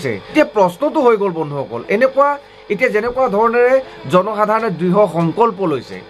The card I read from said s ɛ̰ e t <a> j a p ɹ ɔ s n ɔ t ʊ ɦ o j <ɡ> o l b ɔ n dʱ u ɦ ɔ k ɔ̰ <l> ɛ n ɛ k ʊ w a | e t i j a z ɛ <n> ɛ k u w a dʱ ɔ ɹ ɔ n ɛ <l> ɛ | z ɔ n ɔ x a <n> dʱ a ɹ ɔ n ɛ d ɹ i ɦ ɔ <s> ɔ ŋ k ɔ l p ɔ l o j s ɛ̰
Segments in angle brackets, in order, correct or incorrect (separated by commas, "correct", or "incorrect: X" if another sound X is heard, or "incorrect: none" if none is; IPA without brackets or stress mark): incorrect: i, correct, correct, correct, incorrect: ɹ, incorrect: none, incorrect: x